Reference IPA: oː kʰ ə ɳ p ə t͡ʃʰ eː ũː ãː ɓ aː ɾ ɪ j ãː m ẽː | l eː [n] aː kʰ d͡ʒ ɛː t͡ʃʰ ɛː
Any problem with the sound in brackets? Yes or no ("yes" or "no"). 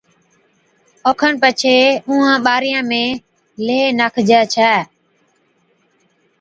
no